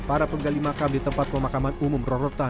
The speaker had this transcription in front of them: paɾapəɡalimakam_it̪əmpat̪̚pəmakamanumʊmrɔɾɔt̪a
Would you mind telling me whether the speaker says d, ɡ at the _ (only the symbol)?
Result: d